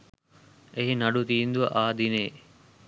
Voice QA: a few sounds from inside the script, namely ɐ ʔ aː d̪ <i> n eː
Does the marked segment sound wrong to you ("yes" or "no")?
no